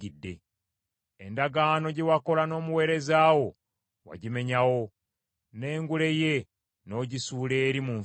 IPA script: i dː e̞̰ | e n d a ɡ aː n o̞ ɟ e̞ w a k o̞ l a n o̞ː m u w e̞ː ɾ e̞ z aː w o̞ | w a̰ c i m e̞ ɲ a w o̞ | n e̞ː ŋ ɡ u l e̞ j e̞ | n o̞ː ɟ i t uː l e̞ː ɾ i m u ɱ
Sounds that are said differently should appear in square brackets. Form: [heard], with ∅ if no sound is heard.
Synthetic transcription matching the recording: i dː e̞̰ | e n d a ɡ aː n o̞ ɟ e̞ w a k o̞ l a n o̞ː m u w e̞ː ɾ e̞ z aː w o̞ | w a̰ [ɟ] i m e̞ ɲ a w o̞ | n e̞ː ŋ ɡ u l e̞ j e̞ | n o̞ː ɟ i [s] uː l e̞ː ɾ i m u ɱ